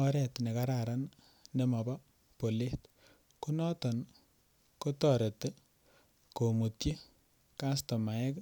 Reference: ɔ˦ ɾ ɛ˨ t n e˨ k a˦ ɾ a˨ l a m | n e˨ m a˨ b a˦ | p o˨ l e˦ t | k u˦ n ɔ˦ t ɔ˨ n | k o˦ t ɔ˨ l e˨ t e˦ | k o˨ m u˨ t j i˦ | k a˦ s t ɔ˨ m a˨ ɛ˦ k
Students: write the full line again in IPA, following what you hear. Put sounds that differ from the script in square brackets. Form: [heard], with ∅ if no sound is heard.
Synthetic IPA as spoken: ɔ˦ ɾ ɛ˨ t n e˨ k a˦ ɾ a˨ [ɾ] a [n] | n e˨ m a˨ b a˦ | p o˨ l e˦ t | k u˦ n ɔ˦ t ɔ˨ n | k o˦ t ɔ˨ [ɾ] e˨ t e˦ | k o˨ m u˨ t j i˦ | k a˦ s t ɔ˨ m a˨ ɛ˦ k